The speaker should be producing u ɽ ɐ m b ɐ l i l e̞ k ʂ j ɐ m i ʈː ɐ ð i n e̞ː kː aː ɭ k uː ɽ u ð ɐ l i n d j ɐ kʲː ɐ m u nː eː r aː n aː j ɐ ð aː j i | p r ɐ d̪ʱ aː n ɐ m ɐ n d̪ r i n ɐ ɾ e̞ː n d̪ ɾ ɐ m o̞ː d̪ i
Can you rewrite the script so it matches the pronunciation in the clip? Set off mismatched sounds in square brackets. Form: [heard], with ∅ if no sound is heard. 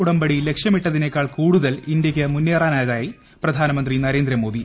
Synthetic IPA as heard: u ɽ ɐ m b ɐ [ɽ] i l e̞ k ʂ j ɐ m i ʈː ɐ ð i n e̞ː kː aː ɭ k uː ɽ u ð ɐ l i n d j ɐ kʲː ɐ m u nː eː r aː n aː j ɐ ð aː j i | p r ɐ d̪ʱ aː n ɐ m ɐ n d̪ r i n ɐ ɾ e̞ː n d̪ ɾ ɐ m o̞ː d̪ i